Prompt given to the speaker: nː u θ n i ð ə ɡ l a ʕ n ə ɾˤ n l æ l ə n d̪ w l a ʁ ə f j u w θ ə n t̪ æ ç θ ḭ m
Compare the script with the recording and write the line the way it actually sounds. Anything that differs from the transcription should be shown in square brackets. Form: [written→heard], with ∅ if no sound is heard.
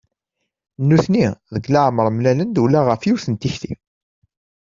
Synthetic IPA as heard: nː u θ n i ð ə ɡ l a ʕ [n→m] ə ɾˤ [n→m] l æ l ə n d̪ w l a ʁ ə f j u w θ ə n t̪ [æ→i] ç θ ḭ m